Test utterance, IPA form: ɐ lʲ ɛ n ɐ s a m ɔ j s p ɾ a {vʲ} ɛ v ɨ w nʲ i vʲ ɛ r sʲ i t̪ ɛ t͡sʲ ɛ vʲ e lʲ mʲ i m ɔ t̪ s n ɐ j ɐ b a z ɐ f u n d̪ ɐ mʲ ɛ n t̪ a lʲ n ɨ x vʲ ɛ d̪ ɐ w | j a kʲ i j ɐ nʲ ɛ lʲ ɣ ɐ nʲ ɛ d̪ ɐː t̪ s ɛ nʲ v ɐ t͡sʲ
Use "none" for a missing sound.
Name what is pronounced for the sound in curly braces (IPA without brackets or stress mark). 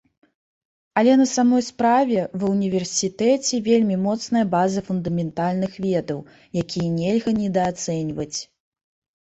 vʲ